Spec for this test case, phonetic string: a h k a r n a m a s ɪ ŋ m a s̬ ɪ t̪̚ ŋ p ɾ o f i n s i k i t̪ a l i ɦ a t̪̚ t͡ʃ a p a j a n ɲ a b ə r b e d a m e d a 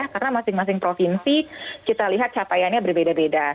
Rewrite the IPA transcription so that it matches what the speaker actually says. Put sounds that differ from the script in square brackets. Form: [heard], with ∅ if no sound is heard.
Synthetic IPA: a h k a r n a m a s ɪ ŋ m a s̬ ɪ [∅] ŋ p ɾ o f i n s i k i t̪ a l i ɦ a t̪̚ t͡ʃ a p a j a n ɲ a b ə r b e d a [b] e d a